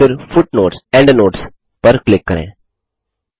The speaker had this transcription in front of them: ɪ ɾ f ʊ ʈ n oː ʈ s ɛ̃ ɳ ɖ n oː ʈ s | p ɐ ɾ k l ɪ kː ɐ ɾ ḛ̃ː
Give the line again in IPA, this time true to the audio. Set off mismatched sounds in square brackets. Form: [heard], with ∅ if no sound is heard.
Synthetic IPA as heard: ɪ ɾ f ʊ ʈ n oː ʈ s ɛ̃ ɳ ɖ n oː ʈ s | p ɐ ɾ k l ɪ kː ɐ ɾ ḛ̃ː